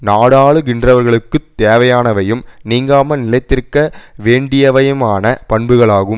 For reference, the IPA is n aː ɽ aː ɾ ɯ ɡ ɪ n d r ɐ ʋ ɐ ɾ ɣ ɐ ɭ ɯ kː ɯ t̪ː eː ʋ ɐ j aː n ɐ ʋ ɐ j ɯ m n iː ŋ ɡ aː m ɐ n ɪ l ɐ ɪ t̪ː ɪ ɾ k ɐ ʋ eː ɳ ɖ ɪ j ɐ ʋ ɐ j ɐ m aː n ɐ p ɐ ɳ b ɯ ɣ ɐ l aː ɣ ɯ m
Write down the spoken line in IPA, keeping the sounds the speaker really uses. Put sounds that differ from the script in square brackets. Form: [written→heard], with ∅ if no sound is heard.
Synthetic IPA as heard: n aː ɽ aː [ɾ→ɭ] ɯ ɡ ɪ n d r ɐ ʋ ɐ ɾ ɣ ɐ ɭ ɯ kː ɯ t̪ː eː ʋ ɐ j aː n ɐ ʋ ɐ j ɯ m n iː ŋ ɡ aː m ɐ n ɪ l ɐ ɪ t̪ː ɪ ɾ k ɐ ʋ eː ɳ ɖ ɪ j ɐ ʋ ɐ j ɐ m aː n ɐ p ɐ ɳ b ɯ ɣ ɐ [l→ɭ] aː ɣ ɯ m